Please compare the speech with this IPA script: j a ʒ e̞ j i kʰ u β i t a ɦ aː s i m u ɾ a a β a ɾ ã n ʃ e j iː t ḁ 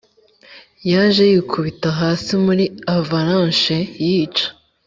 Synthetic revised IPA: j a ʒ e̞ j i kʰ u β i t a ɦ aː s i m u ɾ i a v a ɾ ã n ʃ e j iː t͡ʃ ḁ